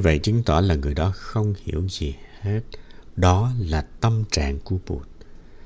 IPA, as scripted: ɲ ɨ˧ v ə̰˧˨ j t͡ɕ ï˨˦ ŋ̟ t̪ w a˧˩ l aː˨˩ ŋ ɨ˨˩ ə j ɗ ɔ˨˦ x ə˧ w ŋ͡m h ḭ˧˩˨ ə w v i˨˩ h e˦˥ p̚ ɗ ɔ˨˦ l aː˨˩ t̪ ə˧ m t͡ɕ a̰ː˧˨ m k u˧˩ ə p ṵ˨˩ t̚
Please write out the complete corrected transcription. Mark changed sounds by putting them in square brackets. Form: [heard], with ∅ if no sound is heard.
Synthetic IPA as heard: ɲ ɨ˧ v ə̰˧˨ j t͡ɕ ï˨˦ ŋ̟ t̪ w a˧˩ l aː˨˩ ŋ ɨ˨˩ ə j ɗ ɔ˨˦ x ə˧ w ŋ͡m h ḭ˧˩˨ ə w [z] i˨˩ h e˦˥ [t̚] ɗ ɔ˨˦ l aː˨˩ t̪ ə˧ m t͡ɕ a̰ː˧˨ [ŋ] k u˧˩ ə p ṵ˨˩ t̚